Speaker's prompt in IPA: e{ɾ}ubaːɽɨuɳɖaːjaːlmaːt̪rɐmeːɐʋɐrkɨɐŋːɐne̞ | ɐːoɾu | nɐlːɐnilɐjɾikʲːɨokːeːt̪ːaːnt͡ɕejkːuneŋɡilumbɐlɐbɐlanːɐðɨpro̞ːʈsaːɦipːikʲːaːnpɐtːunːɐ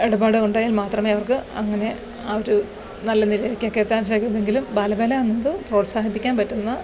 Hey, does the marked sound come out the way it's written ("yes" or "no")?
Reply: no